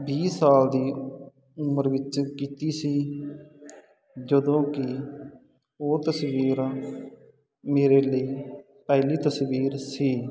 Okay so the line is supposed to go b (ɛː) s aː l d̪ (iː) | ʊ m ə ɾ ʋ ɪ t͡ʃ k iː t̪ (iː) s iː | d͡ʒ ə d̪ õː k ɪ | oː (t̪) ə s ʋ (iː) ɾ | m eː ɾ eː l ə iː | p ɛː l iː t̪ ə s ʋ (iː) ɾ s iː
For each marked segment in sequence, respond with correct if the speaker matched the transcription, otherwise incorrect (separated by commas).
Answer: incorrect, correct, correct, correct, correct, correct